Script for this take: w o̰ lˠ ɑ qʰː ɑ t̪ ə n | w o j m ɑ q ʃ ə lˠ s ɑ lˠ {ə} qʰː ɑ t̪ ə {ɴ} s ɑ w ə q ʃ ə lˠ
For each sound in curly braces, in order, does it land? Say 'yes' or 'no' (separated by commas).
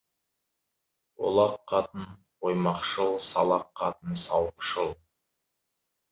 no, no